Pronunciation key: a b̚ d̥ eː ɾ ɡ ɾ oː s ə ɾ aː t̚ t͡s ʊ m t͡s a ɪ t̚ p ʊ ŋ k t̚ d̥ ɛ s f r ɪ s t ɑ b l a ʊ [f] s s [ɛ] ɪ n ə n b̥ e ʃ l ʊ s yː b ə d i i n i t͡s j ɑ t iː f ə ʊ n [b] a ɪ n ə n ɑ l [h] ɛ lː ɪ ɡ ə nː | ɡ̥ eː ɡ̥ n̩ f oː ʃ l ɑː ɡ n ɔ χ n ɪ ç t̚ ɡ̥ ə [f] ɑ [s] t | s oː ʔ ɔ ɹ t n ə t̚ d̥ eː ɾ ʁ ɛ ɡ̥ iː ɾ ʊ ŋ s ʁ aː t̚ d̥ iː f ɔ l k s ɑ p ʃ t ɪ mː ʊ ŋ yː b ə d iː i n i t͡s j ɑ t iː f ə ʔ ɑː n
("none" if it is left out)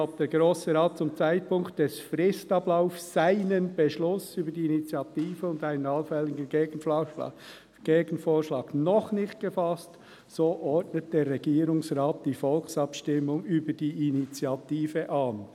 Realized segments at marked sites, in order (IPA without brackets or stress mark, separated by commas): f, a, d, f, f, s